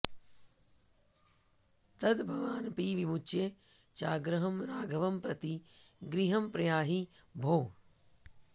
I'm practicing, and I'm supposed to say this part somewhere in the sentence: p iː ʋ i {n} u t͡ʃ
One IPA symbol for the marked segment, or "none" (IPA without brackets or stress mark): m